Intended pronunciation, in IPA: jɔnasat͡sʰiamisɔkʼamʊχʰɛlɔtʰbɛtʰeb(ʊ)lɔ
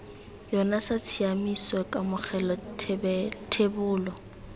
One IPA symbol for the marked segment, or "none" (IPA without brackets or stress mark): ʊː